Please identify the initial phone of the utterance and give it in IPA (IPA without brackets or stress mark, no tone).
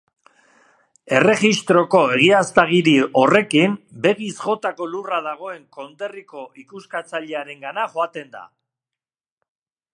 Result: e̞